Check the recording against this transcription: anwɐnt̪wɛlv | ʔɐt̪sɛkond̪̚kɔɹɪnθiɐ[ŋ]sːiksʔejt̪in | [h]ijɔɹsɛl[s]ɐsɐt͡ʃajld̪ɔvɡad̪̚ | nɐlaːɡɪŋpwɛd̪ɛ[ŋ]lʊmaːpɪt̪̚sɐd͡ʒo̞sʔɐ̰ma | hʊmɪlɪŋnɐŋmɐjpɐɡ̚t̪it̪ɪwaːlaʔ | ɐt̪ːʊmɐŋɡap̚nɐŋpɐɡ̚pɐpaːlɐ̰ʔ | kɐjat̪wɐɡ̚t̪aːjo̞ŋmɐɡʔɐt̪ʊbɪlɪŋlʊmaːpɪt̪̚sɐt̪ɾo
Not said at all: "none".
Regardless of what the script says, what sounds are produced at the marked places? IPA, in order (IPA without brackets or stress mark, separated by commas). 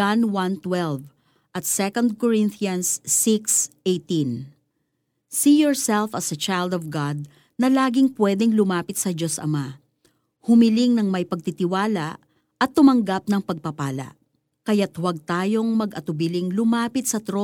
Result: n, s, f, ŋ